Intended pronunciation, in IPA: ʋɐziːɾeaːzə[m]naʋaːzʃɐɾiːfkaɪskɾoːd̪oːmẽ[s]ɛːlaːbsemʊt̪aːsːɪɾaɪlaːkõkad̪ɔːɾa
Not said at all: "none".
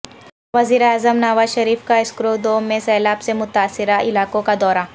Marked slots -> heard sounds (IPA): m, s

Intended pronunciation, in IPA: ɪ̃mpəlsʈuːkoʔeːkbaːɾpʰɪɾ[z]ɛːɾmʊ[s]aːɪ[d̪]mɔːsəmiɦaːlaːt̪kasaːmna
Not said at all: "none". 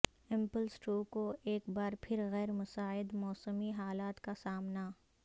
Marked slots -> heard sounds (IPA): ɣ, s, d̪

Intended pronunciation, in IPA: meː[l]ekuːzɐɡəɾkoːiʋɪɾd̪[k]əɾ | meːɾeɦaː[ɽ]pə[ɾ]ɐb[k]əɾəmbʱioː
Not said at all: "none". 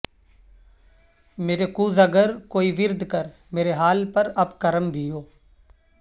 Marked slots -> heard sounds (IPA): ɾ, k, l, ɾ, k

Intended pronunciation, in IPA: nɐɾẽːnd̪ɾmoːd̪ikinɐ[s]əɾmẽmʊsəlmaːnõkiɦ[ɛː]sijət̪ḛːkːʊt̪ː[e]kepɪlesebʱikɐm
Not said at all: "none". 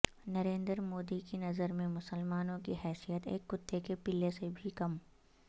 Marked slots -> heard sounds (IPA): z, ɛː, e

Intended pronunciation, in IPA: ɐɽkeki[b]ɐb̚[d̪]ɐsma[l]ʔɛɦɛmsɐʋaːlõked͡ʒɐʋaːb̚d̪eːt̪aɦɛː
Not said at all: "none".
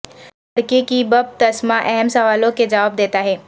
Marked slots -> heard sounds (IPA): b, t̪, none

